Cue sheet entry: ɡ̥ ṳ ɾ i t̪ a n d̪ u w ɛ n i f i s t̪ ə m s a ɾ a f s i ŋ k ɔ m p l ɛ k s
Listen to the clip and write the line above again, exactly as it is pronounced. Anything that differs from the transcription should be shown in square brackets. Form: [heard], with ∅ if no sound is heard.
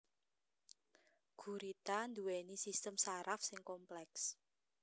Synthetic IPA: ɡ̥ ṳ ɾ i t̪ a n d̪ u w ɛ n i [s] i s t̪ ə m s a ɾ a f s [ɪ] ŋ k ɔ m p l ɛ k s